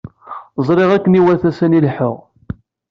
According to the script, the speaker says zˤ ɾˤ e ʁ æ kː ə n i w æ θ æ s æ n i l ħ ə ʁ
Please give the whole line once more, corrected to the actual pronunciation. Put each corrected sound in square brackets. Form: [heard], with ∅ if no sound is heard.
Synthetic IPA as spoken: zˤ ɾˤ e ʁ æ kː ə n i w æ θ æ s æ n i l ħ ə ʁ